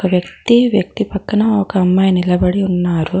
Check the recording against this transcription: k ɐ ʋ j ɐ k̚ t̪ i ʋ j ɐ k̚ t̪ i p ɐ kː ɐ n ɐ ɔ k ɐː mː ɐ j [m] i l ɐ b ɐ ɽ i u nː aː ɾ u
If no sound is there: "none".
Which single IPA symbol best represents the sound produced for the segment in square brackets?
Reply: n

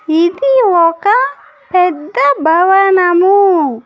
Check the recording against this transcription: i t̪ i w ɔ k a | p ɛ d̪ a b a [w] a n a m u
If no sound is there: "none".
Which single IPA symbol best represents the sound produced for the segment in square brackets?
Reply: w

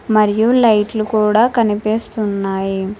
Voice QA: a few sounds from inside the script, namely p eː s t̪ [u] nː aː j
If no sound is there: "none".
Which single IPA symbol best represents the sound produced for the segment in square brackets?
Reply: u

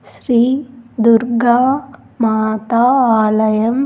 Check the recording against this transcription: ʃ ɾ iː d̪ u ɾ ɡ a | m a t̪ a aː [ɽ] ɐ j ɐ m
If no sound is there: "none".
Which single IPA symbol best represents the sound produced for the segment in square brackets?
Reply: l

